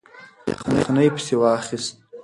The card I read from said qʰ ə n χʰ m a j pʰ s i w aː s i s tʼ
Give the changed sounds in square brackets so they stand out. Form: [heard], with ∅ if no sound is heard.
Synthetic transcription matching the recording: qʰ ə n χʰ [n] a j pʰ s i w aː [χ] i s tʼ